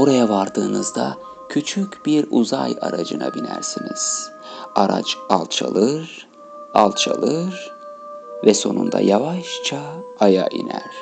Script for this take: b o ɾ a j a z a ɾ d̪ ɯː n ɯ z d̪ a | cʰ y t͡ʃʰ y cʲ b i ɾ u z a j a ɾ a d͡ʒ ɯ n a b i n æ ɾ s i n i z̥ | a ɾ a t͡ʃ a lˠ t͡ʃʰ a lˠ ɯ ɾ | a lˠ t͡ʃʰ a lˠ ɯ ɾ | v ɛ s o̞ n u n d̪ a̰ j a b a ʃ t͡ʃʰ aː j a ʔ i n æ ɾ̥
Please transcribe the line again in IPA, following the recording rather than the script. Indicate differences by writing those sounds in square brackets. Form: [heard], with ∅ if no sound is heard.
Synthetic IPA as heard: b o ɾ a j a [v] a ɾ d̪ ɯː n ɯ z d̪ a | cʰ y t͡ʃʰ y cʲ b i ɾ u z a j a ɾ a d͡ʒ ɯ n a b i n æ ɾ s i n i z̥ | a ɾ a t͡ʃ a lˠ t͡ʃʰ a lˠ ɯ ɾ | a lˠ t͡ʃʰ a lˠ ɯ ɾ | v ɛ s o̞ n u n d̪ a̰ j a [v] a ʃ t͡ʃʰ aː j a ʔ i n æ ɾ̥